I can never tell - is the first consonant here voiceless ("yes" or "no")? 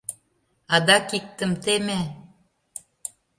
no